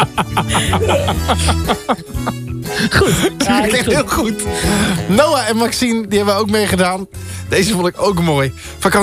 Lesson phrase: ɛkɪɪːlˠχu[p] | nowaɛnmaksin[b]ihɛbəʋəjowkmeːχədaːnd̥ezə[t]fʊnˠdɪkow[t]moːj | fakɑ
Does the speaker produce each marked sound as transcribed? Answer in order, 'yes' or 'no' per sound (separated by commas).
no, no, no, no